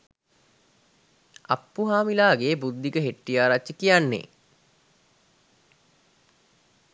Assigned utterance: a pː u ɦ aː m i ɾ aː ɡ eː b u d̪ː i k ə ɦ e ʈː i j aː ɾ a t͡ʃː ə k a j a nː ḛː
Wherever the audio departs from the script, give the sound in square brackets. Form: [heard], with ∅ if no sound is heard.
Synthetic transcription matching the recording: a pː u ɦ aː m i [l] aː ɡ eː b u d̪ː i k ə ɦ e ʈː i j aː ɾ a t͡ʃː ə k [i] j a nː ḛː